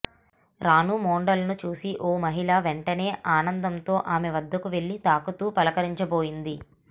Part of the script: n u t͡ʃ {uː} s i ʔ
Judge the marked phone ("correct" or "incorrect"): correct